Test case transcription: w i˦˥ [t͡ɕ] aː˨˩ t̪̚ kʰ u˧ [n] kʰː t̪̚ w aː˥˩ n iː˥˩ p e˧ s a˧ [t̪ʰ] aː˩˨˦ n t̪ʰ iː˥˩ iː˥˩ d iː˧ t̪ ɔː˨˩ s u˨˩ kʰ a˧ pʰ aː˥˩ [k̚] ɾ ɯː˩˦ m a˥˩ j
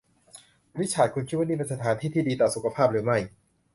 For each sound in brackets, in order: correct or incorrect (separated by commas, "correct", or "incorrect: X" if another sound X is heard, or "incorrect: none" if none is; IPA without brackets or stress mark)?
incorrect: t͡ɕʰ, correct, correct, incorrect: p̚